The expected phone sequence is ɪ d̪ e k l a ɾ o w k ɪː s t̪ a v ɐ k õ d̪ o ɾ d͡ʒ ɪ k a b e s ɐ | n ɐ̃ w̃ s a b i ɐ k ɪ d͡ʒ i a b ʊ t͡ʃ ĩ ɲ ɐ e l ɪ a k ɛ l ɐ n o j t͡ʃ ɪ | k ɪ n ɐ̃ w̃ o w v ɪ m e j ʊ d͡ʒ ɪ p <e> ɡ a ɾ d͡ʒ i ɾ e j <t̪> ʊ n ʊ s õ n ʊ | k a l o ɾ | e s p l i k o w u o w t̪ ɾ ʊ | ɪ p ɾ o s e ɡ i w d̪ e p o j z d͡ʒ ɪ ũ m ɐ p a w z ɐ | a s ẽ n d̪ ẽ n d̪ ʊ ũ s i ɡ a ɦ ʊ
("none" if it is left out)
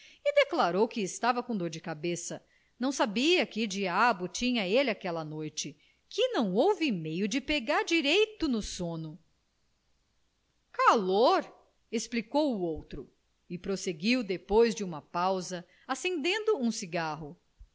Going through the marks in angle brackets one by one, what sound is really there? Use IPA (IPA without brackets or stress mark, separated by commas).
e, t̪